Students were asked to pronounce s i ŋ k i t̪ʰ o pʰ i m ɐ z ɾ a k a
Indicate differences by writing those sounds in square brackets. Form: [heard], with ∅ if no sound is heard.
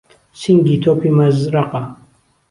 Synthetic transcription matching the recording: s i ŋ [ɡ] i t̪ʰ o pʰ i m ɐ z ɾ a [q] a